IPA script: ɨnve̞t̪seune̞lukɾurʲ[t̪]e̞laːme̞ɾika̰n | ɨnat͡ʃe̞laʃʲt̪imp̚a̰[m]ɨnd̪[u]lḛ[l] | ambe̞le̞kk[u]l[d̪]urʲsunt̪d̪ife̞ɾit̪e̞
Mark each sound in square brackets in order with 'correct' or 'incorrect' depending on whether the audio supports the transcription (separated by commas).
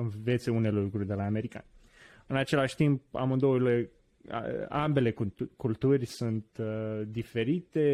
incorrect, correct, incorrect, incorrect, correct, incorrect